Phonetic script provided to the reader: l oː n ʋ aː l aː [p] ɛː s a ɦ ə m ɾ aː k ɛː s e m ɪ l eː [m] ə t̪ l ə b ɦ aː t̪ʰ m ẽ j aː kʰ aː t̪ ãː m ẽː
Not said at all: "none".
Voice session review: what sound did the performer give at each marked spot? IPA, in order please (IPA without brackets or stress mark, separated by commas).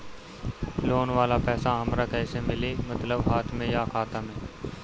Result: p, m